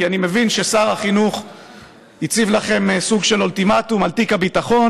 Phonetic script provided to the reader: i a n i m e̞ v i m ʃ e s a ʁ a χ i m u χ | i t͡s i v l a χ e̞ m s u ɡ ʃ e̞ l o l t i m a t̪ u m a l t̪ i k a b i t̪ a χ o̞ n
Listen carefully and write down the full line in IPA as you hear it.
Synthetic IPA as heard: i a n i m e̞ v i n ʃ e s a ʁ a χ i n u χ | i t͡s i v l a χ e̞ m s u ɡ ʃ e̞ l o l t i m a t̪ u m a l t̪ i k a b i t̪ a χ o̞ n